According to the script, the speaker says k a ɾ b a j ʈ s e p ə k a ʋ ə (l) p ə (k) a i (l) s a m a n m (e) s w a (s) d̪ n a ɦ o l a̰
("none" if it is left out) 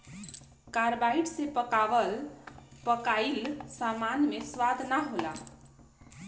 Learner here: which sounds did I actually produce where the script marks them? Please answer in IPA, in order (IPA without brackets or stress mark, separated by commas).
l, k, l, e, none